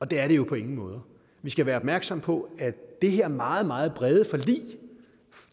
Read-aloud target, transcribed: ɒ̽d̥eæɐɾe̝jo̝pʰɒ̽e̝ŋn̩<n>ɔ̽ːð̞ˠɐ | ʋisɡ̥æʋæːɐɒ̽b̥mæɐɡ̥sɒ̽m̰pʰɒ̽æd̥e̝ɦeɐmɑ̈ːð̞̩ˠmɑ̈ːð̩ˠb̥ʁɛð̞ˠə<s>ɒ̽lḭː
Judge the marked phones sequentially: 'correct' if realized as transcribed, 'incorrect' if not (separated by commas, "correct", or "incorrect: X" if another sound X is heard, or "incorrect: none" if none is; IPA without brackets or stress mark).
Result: incorrect: m, incorrect: f